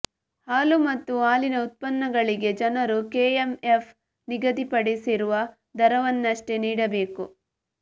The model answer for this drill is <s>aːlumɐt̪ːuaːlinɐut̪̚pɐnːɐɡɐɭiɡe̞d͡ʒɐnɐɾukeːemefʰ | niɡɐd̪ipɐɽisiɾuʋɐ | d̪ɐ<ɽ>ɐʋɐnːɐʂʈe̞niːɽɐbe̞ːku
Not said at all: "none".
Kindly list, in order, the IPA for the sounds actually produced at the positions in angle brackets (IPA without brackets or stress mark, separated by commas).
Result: h, ɾ